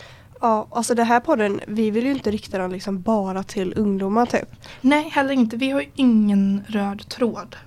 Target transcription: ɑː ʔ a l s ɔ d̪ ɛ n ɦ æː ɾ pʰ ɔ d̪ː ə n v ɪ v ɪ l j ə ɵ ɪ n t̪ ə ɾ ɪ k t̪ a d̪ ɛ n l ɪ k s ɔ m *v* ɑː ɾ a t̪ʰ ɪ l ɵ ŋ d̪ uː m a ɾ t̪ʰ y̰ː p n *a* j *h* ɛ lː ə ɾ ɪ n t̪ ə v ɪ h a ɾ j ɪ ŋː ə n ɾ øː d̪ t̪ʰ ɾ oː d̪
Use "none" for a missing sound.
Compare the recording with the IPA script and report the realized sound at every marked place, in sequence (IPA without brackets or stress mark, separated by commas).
b, ɛ, h